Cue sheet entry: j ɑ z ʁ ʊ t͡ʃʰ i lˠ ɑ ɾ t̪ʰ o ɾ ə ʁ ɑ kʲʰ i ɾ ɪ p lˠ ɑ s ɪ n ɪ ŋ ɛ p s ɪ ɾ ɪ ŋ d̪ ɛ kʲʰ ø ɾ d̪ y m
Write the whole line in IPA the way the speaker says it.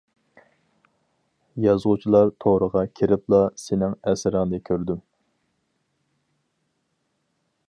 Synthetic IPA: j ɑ z ʁ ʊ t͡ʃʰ i lˠ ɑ ɾ t̪ʰ o ɾ ə ʁ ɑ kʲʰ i ɾ ɪ p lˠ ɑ s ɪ n ɪ ŋ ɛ s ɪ ɾ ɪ ŋ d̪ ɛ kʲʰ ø ɾ d̪ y m